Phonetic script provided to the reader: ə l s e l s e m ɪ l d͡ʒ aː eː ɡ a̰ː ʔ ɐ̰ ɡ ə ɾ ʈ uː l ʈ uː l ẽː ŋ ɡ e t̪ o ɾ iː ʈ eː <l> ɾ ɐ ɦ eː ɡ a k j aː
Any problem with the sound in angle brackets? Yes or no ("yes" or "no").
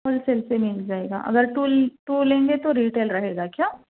no